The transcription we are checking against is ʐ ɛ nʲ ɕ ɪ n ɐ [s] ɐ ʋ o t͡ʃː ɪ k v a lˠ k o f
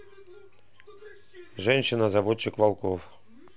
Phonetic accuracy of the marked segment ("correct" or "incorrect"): incorrect